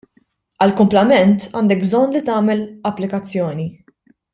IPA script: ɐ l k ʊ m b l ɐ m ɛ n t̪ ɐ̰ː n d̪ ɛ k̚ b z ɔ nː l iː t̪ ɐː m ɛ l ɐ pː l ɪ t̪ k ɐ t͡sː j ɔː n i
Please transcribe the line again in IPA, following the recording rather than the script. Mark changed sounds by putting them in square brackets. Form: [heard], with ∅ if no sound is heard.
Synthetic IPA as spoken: ɐ l k ʊ m [p] l ɐ m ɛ n t̪ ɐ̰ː n d̪ ɛ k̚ b z ɔ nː l [i] t̪ ɐː m ɛ l ɐ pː l ɪ [∅] k ɐ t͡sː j ɔː n i